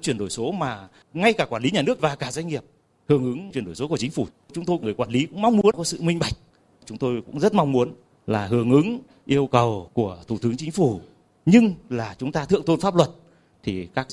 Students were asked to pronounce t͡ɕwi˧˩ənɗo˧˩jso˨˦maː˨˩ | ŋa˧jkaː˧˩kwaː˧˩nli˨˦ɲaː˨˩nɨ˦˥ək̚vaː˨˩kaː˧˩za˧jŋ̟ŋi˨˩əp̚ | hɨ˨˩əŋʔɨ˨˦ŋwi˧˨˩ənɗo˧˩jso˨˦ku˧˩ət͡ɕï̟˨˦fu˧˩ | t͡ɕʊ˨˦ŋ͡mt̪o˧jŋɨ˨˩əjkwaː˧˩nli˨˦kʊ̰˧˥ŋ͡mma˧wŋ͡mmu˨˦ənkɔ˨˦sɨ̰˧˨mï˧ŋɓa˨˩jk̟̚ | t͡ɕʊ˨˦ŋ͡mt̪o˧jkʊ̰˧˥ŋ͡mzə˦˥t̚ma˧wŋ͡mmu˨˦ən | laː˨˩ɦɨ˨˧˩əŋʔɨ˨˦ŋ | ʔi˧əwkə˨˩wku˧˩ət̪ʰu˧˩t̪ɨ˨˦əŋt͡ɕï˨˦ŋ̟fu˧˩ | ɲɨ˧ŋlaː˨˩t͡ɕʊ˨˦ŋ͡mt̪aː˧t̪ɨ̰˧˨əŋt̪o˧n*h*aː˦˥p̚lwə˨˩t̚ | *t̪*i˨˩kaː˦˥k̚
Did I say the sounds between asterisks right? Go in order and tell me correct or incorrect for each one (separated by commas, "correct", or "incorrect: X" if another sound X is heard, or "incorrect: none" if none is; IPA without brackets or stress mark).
incorrect: f, incorrect: t̪ʰ